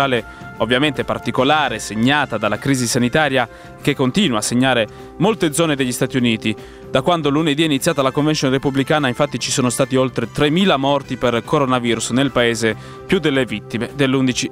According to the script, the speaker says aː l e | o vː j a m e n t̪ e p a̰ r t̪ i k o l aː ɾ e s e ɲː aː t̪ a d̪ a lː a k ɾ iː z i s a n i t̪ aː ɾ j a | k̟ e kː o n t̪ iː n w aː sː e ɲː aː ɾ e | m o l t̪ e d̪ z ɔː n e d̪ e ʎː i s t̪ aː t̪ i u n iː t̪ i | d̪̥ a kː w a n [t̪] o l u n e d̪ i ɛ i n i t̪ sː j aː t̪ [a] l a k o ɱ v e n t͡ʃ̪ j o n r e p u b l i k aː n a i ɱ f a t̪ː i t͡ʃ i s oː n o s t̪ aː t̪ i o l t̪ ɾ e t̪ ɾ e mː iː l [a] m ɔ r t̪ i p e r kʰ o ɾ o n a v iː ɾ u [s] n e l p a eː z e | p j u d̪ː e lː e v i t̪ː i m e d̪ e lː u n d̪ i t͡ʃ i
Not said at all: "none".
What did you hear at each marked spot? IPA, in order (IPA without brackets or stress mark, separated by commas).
d̪, a, a, s